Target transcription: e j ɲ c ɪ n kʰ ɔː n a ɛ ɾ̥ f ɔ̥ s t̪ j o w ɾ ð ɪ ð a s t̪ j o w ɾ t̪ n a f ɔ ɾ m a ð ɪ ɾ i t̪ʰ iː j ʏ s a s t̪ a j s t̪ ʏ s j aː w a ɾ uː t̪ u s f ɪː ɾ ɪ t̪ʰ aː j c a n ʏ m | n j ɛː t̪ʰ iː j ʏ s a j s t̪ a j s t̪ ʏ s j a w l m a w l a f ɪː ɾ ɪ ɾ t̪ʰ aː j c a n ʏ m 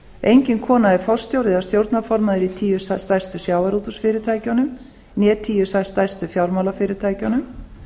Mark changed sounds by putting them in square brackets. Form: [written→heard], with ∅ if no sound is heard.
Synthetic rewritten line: e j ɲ c ɪ n kʰ ɔː n a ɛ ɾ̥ f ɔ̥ s t̪ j o w ɾ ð ɪ ð a s t̪ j o w ɾ t̪ n a f ɔ ɾ m a ð ɪ ɾ i t̪ʰ iː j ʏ s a s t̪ a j s t̪ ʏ s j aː w a ɾ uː t̪ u s f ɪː ɾ ɪ t̪ʰ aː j c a n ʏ m | n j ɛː t̪ʰ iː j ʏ s a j s t̪ a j s t̪ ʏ [s→f] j a w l m a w l a f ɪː ɾ ɪ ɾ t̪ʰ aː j c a n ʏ m